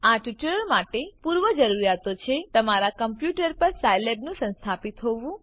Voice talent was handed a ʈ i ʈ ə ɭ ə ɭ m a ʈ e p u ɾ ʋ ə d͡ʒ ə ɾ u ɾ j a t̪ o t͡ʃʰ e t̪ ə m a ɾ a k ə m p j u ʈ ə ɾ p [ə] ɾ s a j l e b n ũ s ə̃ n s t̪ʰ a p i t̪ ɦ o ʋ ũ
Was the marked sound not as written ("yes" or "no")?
no